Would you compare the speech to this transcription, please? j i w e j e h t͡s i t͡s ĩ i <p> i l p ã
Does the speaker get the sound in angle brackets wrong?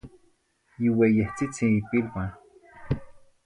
no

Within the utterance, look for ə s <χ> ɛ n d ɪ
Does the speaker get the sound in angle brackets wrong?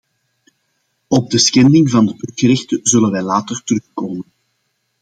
yes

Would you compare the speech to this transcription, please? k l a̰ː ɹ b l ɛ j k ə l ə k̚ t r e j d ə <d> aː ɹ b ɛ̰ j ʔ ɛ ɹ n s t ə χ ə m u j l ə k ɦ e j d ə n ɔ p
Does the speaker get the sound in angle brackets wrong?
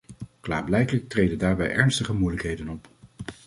no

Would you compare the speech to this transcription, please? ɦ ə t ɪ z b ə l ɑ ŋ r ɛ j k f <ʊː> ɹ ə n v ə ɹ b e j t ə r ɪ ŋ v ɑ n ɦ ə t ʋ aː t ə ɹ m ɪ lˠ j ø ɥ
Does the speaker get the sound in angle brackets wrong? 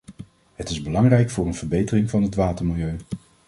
no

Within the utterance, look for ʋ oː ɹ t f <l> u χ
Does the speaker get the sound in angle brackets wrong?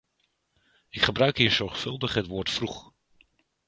yes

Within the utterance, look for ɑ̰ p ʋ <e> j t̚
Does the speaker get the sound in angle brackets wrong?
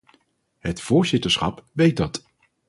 no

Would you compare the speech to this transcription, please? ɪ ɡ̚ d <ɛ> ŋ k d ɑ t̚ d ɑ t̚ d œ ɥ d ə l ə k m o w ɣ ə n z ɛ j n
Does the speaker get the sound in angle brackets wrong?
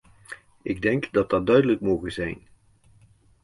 no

